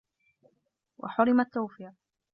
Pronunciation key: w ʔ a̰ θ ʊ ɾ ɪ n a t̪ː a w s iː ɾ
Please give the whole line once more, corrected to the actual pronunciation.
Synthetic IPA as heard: w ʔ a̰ ħ ʊ ɾ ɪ m a t̪ː a w f iː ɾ